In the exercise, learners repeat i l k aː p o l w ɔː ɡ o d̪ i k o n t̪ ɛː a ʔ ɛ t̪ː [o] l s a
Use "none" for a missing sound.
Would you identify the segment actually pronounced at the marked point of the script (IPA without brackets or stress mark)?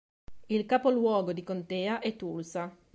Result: u